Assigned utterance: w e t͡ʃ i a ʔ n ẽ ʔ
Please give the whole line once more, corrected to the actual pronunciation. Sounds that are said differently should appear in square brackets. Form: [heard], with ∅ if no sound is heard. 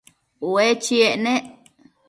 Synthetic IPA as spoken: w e t͡ʃ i [e] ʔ n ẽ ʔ